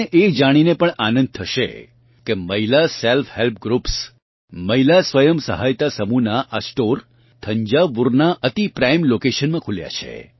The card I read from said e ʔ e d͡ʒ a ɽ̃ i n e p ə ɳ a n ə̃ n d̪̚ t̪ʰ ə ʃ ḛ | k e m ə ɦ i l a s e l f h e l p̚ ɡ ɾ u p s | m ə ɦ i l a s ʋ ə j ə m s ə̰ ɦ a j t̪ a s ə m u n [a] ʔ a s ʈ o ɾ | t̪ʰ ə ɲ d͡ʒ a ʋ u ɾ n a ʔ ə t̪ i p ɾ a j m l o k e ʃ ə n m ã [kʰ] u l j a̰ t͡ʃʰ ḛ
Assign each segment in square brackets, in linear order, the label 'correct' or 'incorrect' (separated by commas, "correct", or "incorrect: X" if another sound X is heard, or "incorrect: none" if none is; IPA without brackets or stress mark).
correct, correct